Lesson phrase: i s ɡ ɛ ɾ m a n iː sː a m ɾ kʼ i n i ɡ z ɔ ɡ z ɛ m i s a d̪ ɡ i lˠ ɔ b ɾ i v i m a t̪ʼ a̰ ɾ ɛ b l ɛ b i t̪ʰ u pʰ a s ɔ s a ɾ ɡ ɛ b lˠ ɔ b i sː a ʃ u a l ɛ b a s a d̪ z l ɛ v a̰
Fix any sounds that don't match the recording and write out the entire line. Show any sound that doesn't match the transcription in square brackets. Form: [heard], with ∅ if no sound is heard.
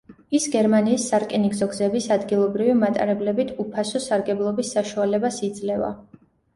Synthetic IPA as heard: i s ɡ ɛ ɾ m a n iː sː a [∅] ɾ kʼ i n i ɡ z ɔ ɡ z ɛ [b] i s a d̪ ɡ i lˠ ɔ b ɾ i v i m a t̪ʼ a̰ ɾ ɛ b l ɛ b i t̪ʰ u pʰ a s ɔ s a ɾ ɡ ɛ b lˠ ɔ b i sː a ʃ u a l ɛ b a s [i] d̪ z l ɛ v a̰

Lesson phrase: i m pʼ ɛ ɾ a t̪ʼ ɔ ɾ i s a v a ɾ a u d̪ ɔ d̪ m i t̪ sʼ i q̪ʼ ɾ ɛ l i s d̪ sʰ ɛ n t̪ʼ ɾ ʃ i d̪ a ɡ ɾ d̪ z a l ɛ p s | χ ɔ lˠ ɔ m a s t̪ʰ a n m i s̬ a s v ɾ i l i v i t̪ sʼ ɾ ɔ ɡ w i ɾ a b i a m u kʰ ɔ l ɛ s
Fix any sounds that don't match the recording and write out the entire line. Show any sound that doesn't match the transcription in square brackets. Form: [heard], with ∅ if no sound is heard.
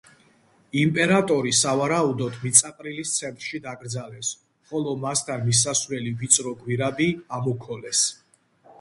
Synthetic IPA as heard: i m pʼ ɛ ɾ a t̪ʼ ɔ ɾ i s a v a ɾ a u d̪ ɔ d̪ m i t̪ sʼ [a] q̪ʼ ɾ [i] l i s [t̪] sʰ ɛ n t̪ʼ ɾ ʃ i d̪ a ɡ ɾ d̪ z a l ɛ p s | χ ɔ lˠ ɔ m a s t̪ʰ a n m i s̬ a s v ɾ [ɛ] l i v i t̪ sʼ ɾ ɔ ɡ w i ɾ a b i a m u kʰ ɔ l ɛ s

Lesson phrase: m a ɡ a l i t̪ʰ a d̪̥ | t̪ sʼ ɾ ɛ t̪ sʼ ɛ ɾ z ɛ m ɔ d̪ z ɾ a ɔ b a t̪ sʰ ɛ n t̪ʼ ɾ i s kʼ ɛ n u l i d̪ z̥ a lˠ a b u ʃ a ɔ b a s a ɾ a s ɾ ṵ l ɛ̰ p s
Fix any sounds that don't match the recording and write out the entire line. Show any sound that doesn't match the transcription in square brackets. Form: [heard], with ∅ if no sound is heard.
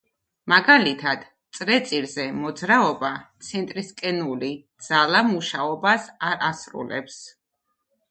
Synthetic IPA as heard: m a ɡ a l i t̪ʰ a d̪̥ | t̪ sʼ ɾ ɛ t̪ sʼ [i] ɾ z ɛ m ɔ d̪ z ɾ a ɔ b a t̪ sʰ ɛ n t̪ʼ ɾ i s kʼ ɛ n u l i d̪ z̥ a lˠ a [m] u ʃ a ɔ b a s a ɾ a s ɾ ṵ l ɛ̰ p s

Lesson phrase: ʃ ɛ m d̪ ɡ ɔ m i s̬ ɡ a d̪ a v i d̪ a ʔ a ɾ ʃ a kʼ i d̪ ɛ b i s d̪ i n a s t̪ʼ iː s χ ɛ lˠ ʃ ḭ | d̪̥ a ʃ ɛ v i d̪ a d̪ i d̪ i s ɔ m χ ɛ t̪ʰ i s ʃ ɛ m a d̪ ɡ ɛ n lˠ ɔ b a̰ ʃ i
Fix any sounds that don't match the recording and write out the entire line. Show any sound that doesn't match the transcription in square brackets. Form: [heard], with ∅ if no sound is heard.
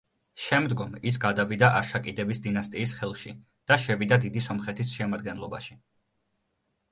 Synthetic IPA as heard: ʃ ɛ m d̪ ɡ ɔ m i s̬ ɡ a d̪ a v i d̪ a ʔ a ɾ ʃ a kʼ i d̪ ɛ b i s d̪ i n a s t̪ʼ iː s χ ɛ lˠ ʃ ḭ | d̪̥ a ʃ ɛ v i d̪ a d̪ i d̪ i s ɔ m χ ɛ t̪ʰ i s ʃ ɛ m a d̪ ɡ ɛ n lˠ ɔ b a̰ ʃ i

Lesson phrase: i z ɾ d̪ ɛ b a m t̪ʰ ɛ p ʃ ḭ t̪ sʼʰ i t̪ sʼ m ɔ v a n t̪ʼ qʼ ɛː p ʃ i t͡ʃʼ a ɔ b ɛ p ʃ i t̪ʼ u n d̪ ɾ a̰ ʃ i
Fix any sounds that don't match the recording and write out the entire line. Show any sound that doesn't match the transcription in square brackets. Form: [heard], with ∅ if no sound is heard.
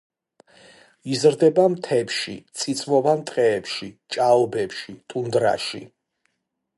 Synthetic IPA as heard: i z ɾ d̪ ɛ b a m t̪ʰ ɛ p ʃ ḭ t̪ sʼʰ i t̪ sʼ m ɔ v a n t̪ʼ qʼ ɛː p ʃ i t͡ʃʼ a ɔ b ɛ p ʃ i t̪ʼ u n d̪ ɾ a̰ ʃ i

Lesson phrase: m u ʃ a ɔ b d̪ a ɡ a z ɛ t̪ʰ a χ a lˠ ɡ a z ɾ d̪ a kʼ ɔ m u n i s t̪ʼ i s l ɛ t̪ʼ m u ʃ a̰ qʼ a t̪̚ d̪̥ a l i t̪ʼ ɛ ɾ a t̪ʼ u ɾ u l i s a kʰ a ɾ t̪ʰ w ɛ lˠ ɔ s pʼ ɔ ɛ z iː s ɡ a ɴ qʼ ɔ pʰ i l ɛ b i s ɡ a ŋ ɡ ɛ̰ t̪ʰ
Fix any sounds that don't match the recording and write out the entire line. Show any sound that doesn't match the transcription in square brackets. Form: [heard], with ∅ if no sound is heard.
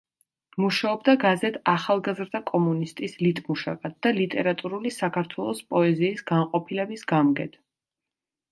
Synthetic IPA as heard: m u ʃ a ɔ b d̪ a ɡ a z ɛ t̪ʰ a χ a lˠ ɡ a z ɾ d̪ a kʼ ɔ m u n i s t̪ʼ i s l [i] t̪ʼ m u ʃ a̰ [kʼ] a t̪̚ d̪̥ a l i t̪ʼ ɛ ɾ a t̪ʼ u ɾ u l i s a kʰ a ɾ t̪ʰ w ɛ lˠ ɔ s pʼ ɔ ɛ z iː s ɡ a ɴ qʼ ɔ pʰ i l ɛ b i s ɡ a [m] ɡ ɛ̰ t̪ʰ

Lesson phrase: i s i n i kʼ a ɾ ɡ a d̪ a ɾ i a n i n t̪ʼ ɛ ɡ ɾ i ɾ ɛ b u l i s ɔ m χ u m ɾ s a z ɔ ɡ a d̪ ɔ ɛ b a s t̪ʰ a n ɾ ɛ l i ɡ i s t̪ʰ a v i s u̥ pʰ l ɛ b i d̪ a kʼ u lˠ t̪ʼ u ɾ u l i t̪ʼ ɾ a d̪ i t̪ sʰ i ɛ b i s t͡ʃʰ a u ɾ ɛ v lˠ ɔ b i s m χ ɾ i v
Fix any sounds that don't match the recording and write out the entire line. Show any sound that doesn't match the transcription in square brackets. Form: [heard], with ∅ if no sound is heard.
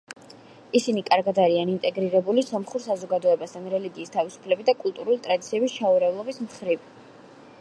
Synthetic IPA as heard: i s i n i kʼ a ɾ ɡ a d̪ a ɾ i a n i n t̪ʼ ɛ ɡ ɾ i ɾ ɛ b u l i s ɔ m χ u [∅] ɾ s a z ɔ ɡ a d̪ ɔ ɛ b a s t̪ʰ a n ɾ ɛ l i ɡ [iː] s t̪ʰ a v i s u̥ pʰ l ɛ b i d̪ a kʼ u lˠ t̪ʼ u ɾ u l i t̪ʼ ɾ a d̪ i t̪ sʰ i ɛ b i s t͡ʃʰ a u ɾ ɛ v lˠ ɔ b i s m χ ɾ i v

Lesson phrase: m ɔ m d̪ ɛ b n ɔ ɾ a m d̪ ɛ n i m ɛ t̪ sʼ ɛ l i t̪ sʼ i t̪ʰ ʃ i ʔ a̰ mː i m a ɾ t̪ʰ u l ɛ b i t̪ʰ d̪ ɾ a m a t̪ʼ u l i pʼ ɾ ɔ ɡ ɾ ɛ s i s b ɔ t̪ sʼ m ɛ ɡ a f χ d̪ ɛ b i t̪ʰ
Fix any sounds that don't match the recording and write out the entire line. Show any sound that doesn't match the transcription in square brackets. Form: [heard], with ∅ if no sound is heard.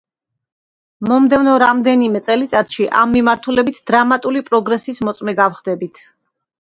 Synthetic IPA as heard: m ɔ m d̪ ɛ [v] n ɔ ɾ a m d̪ ɛ n i m ɛ t̪ sʼ ɛ l i t̪ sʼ [a] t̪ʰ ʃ i ʔ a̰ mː i m a ɾ t̪ʰ u l ɛ b i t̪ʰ d̪ ɾ a m a t̪ʼ u l i pʼ ɾ ɔ ɡ ɾ ɛ s i s [m] ɔ t̪ sʼ m ɛ ɡ a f χ d̪ ɛ b i t̪ʰ

